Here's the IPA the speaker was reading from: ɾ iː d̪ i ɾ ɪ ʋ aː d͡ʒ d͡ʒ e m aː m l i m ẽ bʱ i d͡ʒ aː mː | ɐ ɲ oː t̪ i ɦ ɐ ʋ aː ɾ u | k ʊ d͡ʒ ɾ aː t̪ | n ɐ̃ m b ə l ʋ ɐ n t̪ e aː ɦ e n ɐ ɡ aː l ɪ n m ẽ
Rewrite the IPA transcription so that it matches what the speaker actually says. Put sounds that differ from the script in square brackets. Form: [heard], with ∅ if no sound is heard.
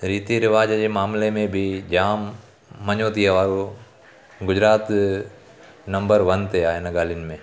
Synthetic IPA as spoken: ɾ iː [t̪] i ɾ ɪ ʋ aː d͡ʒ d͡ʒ e m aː m l [e] m ẽ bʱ i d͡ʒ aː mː | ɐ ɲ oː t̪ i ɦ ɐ ʋ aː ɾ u | [ɡ] ʊ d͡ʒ ɾ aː t̪ | n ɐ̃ m b ə [ɾ] ʋ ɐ n t̪ e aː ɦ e n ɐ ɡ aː l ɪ n m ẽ

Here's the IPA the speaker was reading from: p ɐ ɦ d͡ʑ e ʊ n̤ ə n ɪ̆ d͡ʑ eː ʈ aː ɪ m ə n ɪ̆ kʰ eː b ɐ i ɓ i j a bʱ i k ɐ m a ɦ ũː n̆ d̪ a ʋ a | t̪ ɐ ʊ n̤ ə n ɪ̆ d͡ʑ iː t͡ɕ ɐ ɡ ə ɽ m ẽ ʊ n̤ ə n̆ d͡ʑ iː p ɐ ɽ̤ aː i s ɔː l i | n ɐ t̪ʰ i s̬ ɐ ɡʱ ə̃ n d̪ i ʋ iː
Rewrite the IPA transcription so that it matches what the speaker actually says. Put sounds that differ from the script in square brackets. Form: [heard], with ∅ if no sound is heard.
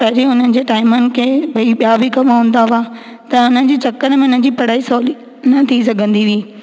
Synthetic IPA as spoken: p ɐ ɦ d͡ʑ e ʊ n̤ ə n ɪ̆ d͡ʑ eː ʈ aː ɪ m ə n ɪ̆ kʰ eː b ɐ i ɓ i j a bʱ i k ɐ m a ɦ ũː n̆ d̪ a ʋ a | t̪ ɐ ʊ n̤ ə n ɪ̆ d͡ʑ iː t͡ɕ ɐ [k] ə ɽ m ẽ ʊ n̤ ə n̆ d͡ʑ iː p ɐ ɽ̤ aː i s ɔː l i | n ɐ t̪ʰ i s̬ ɐ ɡʱ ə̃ n d̪ i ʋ iː

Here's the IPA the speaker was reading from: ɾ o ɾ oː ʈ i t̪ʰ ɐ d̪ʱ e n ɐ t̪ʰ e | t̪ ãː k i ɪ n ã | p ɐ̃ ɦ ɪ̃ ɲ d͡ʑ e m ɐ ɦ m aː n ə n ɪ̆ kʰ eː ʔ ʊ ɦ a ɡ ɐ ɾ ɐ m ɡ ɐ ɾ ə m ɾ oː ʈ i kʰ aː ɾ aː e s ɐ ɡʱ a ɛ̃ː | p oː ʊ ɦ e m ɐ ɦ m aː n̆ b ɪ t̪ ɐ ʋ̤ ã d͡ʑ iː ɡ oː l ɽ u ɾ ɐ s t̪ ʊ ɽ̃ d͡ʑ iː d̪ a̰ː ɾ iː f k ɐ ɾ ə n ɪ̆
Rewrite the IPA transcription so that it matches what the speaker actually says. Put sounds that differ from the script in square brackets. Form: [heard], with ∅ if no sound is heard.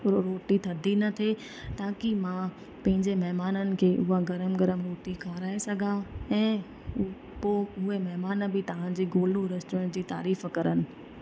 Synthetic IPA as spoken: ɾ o ɾ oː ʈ i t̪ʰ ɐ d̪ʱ [i] n ɐ t̪ʰ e | t̪ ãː k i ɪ [m] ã | p ɐ̃ ɦ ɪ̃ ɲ d͡ʑ e m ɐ ɦ m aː n ə n ɪ̆ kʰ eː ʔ ʊ ɦ a ɡ ɐ ɾ [ə] m ɡ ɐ ɾ ə m ɾ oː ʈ i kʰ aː ɾ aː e s ɐ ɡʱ a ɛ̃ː | p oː ʊ ɦ e m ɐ ɦ m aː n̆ b ɪ t̪ ɐ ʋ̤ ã d͡ʑ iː ɡ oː l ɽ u ɾ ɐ s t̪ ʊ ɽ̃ d͡ʑ iː [t̪] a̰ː ɾ iː f k ɐ ɾ ə n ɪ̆

